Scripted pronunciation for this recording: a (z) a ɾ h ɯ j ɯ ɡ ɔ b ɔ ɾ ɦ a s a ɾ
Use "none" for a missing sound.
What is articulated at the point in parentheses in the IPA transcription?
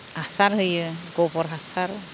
s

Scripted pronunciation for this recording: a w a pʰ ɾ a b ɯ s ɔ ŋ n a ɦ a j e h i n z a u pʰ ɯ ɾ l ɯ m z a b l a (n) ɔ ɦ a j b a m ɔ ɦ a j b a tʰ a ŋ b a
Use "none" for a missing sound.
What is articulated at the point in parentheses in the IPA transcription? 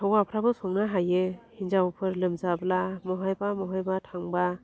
m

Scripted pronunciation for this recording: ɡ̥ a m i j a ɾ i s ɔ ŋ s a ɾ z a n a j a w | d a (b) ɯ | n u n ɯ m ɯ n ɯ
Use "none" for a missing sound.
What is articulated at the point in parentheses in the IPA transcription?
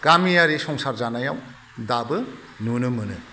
b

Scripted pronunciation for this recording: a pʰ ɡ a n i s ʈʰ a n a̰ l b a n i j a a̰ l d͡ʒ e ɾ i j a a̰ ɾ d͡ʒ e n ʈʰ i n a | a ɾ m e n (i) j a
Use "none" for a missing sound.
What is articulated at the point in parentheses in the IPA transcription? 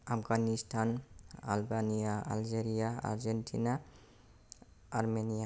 i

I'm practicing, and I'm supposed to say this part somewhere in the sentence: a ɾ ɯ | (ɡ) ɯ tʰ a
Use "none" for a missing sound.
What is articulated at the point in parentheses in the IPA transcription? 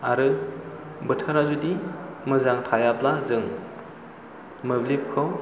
b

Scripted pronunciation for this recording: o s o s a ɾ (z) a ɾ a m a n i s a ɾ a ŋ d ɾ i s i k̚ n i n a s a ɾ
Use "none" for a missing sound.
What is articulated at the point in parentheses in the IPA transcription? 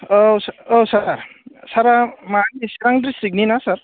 s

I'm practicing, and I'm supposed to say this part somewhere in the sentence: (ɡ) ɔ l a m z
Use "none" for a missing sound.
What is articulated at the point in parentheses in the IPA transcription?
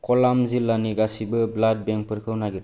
k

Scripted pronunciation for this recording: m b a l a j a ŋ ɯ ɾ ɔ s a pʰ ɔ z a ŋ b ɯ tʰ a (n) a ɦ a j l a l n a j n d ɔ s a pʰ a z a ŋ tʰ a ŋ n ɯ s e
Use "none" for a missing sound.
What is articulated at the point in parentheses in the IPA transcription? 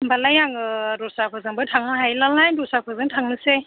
ŋ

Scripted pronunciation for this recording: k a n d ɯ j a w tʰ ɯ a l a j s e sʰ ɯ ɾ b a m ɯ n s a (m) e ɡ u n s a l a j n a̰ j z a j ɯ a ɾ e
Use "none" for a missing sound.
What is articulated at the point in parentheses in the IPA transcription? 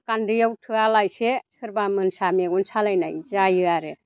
m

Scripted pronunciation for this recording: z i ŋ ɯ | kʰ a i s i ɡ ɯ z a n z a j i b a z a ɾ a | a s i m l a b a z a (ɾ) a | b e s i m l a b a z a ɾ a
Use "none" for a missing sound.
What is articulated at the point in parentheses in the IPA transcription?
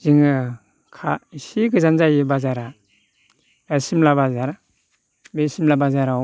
ɾ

